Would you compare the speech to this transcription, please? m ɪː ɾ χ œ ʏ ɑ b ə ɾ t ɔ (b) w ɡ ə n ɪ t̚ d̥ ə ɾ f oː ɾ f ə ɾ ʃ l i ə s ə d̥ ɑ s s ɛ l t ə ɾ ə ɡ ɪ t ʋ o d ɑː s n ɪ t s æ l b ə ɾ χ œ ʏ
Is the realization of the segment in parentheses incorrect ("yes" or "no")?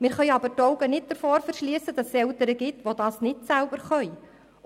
yes